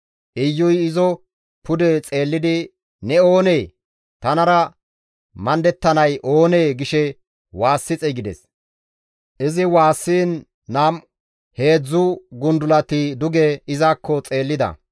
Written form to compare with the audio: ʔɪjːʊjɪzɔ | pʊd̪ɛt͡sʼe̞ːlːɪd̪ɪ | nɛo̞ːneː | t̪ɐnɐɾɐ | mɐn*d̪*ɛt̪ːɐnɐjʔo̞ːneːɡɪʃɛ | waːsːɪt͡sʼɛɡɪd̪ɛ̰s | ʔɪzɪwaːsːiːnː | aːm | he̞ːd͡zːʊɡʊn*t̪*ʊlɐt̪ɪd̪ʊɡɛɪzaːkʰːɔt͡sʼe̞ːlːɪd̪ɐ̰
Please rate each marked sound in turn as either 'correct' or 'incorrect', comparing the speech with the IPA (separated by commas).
correct, incorrect